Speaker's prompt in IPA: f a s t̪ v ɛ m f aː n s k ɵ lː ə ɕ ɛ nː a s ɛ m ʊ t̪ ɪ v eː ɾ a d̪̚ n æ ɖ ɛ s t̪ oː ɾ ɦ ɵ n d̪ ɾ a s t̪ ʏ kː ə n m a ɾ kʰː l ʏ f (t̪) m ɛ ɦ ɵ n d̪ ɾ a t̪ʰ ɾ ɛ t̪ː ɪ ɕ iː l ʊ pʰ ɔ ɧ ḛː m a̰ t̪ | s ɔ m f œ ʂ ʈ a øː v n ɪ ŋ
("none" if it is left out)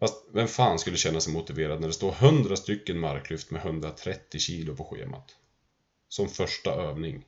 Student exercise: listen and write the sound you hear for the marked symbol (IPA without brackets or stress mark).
t̪